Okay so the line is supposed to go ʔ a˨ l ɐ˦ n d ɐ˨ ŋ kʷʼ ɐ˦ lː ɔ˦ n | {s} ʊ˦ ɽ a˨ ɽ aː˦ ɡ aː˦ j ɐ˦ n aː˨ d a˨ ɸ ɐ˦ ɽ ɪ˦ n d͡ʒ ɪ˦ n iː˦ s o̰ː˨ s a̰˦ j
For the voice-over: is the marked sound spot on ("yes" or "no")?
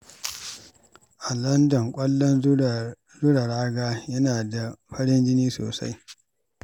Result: no